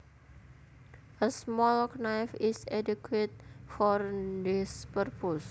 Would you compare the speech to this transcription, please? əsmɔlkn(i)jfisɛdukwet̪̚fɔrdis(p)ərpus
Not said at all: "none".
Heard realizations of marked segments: a, p

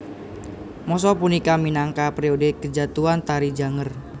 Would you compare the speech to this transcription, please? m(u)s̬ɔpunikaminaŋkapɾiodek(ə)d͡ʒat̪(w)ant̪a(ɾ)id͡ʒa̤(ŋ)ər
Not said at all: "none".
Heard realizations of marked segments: ɔ, ə, u, ɾ, ŋ

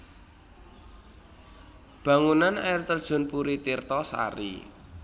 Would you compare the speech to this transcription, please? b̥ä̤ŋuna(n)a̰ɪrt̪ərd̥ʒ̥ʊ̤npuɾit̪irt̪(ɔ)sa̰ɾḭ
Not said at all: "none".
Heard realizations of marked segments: n, ɔ

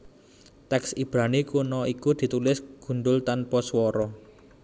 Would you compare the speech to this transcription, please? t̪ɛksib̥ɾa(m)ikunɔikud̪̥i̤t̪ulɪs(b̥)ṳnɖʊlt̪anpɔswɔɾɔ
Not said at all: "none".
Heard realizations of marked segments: n, ɡ̥

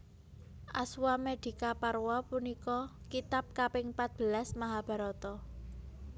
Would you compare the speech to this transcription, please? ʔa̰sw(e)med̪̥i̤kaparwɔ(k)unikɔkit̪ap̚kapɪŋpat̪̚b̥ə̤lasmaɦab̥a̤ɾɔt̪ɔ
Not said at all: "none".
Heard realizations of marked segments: a, p

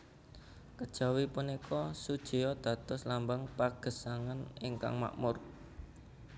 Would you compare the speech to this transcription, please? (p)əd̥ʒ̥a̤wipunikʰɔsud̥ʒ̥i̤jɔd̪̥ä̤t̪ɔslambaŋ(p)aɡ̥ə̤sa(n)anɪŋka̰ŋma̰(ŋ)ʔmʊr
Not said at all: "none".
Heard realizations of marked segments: k, p, ŋ, none

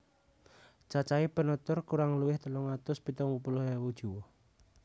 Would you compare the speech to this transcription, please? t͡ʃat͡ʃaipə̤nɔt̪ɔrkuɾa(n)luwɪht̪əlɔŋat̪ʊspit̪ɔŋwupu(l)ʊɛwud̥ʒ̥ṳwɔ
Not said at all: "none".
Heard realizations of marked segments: ŋ, l

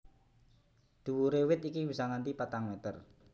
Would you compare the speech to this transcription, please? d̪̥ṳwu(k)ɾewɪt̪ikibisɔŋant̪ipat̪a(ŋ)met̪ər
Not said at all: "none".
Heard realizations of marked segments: none, ŋ

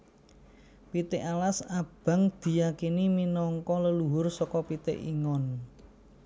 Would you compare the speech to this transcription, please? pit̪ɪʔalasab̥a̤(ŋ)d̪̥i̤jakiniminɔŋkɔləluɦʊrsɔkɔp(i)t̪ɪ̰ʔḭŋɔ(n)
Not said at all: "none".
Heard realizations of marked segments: ŋ, i, n

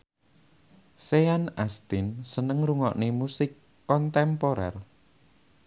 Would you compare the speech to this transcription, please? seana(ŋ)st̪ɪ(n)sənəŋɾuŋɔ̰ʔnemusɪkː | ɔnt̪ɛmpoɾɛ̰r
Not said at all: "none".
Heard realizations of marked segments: none, n

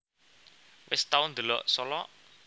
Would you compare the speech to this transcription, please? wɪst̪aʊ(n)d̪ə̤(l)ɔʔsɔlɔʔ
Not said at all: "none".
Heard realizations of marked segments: n, l

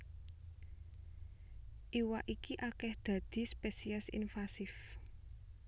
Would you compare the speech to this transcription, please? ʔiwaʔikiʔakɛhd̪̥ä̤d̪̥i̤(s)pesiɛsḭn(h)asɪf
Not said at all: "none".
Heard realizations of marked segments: s, f

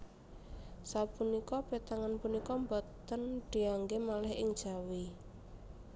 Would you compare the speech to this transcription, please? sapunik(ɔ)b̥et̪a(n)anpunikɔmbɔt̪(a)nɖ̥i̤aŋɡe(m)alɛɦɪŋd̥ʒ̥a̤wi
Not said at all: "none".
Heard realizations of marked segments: ɔ, ŋ, ə, m

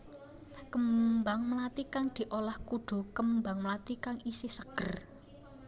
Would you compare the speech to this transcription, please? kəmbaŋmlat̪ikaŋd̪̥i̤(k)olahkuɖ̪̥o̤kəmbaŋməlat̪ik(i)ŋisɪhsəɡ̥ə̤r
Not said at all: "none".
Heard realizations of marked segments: ʔ, a

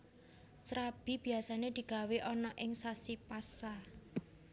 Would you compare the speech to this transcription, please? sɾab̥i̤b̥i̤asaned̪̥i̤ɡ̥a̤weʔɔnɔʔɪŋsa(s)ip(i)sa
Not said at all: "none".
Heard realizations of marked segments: s, a

